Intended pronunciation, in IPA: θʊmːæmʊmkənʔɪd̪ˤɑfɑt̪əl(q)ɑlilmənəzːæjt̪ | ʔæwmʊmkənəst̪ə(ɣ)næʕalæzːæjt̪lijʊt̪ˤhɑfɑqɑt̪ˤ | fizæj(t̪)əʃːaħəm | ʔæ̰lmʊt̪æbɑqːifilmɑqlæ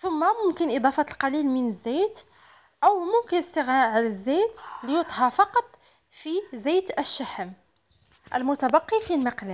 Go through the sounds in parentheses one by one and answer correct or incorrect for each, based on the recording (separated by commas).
correct, correct, correct